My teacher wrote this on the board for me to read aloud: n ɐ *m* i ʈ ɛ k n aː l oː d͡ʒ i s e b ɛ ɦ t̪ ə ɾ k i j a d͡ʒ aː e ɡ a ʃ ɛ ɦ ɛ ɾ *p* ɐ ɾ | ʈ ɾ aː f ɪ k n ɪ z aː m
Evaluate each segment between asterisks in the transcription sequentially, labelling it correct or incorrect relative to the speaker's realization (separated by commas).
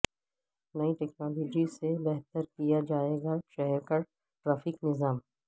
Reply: incorrect, incorrect